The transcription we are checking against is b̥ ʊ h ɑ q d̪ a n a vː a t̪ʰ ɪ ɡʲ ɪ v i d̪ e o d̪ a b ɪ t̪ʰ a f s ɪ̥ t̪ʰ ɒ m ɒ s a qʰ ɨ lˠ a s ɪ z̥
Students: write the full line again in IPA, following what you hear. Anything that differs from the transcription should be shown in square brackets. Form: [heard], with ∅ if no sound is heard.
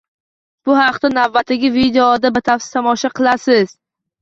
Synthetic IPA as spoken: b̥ ʊ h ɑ q [t̪] a n a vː a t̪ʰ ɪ ɡʲ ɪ v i d̪ e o d̪ a b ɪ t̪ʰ a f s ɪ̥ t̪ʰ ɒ m ɒ [ʃ] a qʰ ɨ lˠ a s ɪ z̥